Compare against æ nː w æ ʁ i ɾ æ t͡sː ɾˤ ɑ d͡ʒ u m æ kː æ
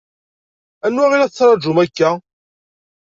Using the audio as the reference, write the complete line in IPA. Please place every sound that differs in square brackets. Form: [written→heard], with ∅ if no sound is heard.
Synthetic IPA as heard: æ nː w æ ʁ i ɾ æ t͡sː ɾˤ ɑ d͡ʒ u m æ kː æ